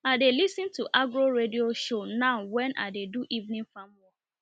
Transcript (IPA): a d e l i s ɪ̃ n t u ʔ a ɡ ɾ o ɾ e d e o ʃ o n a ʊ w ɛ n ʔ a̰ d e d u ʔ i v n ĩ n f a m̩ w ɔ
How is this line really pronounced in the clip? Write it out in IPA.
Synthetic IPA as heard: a d e l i s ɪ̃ n t u ʔ a ɡ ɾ o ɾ e d i o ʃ o n a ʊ w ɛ n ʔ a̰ d e d u ʔ i v n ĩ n f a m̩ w ɔ